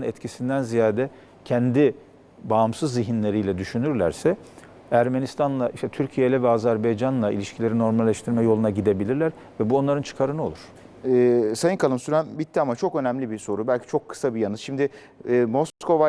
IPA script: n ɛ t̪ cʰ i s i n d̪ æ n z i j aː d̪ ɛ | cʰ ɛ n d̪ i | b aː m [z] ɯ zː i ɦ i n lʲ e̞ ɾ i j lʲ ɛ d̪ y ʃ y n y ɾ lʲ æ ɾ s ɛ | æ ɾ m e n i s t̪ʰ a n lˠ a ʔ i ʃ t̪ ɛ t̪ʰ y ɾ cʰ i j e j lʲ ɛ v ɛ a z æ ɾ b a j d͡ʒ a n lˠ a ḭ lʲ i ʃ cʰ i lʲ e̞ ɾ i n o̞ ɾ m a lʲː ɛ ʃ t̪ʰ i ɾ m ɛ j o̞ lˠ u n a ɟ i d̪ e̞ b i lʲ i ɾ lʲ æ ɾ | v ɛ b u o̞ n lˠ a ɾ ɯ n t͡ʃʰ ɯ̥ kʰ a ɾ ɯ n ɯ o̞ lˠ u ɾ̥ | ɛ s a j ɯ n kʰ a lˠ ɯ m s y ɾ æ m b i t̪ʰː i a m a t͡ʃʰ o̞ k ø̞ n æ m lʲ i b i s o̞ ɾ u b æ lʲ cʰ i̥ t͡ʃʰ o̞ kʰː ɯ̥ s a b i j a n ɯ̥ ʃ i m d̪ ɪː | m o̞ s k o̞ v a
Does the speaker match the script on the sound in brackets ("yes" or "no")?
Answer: no